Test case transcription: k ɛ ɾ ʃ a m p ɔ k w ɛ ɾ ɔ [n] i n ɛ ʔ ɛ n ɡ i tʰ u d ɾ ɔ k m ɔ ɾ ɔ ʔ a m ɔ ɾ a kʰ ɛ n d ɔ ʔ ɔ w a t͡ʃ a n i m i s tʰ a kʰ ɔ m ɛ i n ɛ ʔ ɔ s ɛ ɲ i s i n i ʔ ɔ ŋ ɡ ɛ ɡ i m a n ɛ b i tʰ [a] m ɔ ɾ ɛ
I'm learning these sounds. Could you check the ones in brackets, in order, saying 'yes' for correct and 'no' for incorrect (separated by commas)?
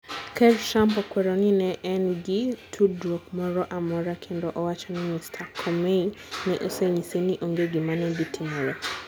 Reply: yes, no